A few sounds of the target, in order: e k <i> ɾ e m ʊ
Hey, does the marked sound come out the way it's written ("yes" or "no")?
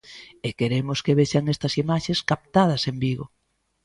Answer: no